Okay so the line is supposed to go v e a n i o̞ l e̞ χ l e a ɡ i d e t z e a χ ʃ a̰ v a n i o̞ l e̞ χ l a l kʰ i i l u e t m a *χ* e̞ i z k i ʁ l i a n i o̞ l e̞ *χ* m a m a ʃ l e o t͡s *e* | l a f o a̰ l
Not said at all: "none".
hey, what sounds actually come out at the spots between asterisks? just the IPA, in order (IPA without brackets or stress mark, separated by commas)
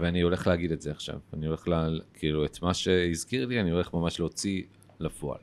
ʃ, χ, i